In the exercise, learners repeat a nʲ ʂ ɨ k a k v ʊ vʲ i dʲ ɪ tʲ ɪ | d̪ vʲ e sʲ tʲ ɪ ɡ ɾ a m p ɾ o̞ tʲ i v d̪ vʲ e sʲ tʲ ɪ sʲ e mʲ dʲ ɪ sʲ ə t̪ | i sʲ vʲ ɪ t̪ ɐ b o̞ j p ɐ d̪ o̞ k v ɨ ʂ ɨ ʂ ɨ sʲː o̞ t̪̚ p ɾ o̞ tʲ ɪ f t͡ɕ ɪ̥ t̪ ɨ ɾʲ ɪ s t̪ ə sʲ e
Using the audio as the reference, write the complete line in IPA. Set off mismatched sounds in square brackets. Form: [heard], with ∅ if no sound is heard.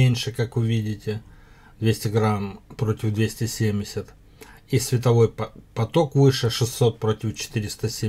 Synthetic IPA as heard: [e] nʲ ʂ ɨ k a k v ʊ vʲ i dʲ ɪ tʲ ɪ | d̪ vʲ e sʲ tʲ ɪ ɡ ɾ a m p ɾ o̞ tʲ [ɪ] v d̪ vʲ e sʲ tʲ ɪ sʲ e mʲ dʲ ɪ sʲ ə t̪ | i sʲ vʲ ɪ t̪ ɐ [v] o̞ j p ɐ [t̪] o̞ k v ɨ ʂ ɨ ʂ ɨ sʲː o̞ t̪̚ p ɾ o̞ tʲ ɪ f t͡ɕ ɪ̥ t̪ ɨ ɾʲ ɪ s t̪ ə sʲ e